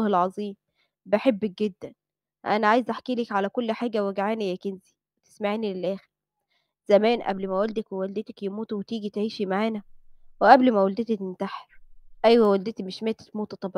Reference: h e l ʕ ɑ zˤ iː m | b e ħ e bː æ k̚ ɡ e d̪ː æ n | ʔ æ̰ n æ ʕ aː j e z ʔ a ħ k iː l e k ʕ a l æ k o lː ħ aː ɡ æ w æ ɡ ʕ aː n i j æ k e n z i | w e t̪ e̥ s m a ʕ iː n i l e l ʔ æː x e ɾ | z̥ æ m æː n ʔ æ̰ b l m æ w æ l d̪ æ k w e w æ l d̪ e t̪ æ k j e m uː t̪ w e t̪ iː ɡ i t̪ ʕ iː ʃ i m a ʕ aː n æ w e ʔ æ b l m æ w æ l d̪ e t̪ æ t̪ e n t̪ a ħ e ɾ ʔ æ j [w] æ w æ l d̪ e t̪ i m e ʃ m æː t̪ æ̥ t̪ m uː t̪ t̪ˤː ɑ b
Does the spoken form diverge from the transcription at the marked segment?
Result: no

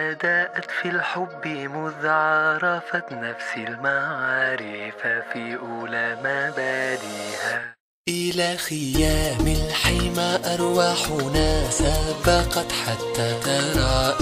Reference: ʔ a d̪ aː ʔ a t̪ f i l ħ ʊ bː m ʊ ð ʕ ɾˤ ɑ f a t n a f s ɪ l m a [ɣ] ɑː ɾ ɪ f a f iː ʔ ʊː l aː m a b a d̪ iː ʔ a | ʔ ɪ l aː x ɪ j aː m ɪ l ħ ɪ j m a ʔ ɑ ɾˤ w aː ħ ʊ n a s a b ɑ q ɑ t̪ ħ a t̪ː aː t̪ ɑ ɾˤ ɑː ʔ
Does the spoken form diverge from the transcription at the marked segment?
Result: yes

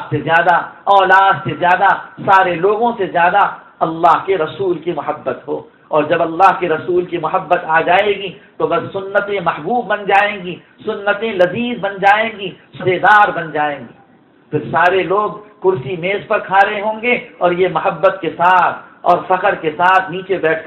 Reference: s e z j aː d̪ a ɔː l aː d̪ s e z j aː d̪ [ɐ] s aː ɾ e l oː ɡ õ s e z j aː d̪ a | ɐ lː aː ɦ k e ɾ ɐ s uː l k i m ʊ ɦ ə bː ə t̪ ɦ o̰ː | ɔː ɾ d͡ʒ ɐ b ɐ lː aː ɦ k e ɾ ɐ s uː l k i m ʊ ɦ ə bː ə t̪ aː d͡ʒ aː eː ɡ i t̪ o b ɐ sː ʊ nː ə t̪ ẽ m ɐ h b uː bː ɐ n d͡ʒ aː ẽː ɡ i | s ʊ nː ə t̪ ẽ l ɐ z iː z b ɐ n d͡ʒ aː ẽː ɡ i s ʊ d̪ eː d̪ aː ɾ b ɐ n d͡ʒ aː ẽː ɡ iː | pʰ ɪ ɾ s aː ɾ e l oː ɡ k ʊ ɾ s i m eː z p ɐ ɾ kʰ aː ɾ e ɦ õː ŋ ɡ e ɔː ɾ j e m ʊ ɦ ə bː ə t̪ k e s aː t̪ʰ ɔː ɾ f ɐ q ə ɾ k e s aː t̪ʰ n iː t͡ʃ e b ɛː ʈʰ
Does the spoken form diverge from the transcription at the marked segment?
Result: yes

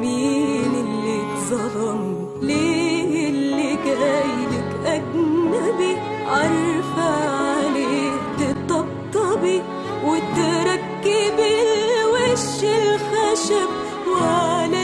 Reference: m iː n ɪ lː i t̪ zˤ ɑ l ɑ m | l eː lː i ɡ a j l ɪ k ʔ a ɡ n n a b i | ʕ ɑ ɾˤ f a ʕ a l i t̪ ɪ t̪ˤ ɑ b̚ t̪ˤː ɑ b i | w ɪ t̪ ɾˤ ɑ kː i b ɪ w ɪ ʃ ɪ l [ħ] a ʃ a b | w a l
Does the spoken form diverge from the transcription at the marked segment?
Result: yes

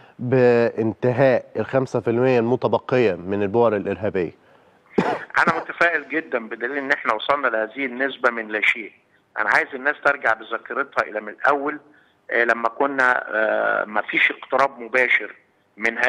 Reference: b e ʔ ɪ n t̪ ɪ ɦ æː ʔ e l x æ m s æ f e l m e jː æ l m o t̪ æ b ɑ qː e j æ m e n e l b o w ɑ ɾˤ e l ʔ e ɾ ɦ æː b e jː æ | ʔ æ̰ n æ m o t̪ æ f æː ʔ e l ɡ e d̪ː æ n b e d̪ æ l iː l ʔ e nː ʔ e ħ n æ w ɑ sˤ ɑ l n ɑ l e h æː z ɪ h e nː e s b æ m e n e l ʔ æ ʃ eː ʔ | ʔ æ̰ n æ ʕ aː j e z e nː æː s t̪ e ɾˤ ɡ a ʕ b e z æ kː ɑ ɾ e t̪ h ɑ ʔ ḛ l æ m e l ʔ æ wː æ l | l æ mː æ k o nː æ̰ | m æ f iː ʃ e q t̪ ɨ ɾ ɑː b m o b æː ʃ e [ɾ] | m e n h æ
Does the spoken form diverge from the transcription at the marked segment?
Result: no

